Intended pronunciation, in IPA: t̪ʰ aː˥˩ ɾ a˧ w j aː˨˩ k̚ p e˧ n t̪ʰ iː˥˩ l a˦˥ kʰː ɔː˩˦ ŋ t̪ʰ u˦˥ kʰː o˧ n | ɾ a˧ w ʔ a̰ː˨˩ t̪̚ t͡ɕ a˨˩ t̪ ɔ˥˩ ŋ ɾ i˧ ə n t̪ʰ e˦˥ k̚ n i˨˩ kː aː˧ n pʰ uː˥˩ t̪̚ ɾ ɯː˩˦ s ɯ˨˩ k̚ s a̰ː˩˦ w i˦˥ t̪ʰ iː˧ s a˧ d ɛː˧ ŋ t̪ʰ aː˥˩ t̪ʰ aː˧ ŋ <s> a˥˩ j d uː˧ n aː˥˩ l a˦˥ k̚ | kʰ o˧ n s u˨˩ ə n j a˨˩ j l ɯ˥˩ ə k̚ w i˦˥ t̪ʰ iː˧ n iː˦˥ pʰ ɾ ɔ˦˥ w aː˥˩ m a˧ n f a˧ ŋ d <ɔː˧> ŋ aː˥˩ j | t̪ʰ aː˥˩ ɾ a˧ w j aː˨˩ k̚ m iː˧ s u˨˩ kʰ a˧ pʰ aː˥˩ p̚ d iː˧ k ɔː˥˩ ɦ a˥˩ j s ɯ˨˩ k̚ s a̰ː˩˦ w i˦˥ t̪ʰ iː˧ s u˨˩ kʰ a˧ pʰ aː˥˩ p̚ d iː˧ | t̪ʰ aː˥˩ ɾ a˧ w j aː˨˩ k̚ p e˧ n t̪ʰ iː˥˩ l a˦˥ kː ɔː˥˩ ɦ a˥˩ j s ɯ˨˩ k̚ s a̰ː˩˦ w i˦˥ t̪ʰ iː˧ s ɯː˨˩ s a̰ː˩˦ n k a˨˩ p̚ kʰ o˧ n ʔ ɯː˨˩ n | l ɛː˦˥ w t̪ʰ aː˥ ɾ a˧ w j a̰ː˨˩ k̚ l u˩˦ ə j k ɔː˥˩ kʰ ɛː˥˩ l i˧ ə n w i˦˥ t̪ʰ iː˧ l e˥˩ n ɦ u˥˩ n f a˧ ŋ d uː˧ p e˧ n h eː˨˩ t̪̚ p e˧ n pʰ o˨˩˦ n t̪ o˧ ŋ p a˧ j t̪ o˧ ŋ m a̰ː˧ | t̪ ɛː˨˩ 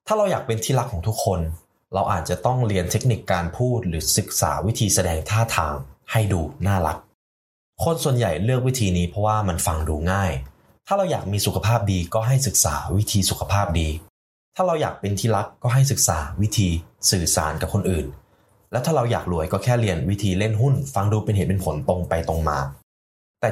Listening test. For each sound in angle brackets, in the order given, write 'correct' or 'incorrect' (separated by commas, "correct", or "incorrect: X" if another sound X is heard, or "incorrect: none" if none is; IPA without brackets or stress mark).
incorrect: h, incorrect: uː˧